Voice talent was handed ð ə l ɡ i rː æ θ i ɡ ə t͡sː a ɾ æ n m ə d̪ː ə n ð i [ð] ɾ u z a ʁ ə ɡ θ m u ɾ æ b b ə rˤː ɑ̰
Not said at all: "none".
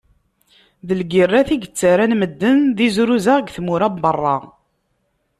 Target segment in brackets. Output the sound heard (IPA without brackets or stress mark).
z